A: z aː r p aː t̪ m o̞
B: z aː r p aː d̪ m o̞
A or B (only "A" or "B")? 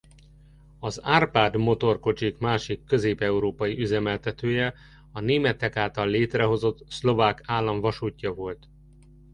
B